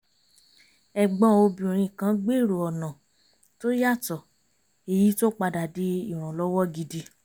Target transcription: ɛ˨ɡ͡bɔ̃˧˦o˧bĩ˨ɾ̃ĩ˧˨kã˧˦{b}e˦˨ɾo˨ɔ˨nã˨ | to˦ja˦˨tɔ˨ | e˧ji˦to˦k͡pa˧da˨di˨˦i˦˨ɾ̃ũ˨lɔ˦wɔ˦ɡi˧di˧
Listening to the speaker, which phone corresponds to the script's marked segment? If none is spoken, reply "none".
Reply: ɡ͡b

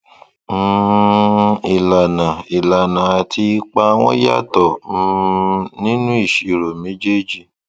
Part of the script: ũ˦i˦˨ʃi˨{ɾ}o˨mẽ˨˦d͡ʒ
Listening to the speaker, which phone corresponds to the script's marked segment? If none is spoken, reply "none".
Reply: ɾ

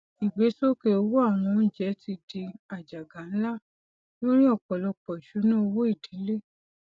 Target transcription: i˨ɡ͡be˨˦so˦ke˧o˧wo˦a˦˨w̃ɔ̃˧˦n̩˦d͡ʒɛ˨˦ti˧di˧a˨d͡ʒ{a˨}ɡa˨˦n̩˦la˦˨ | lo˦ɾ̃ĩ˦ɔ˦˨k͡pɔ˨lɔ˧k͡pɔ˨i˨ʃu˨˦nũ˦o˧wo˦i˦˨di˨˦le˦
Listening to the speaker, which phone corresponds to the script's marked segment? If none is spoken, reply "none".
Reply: a˨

